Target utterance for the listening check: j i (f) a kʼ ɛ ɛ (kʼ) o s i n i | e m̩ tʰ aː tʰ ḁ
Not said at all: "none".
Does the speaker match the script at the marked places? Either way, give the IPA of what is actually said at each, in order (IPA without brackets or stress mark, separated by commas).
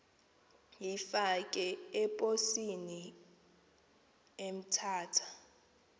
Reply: f, pʼ